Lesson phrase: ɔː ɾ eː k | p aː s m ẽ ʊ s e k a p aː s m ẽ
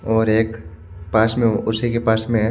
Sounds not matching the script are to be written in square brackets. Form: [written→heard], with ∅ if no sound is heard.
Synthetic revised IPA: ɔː ɾ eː k | p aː s m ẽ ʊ s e k [a→e] p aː s m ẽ